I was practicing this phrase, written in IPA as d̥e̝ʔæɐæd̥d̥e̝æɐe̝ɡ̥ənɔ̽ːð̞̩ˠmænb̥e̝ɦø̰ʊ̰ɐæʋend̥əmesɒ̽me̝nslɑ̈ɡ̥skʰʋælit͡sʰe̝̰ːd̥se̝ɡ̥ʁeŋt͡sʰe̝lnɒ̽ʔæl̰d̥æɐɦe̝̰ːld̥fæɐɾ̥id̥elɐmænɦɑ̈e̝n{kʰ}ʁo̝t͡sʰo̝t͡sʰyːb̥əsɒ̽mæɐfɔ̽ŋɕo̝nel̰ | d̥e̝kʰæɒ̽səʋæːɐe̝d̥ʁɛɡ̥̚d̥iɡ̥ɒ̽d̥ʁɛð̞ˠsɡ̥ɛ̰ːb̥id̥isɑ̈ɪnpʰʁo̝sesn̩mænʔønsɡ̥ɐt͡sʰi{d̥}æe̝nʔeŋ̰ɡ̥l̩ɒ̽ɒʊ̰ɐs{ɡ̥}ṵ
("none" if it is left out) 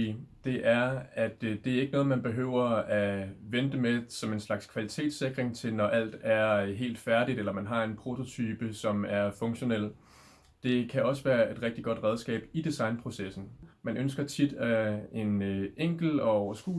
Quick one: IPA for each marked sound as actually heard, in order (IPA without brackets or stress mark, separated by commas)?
pʰ, d̥, ɡ̥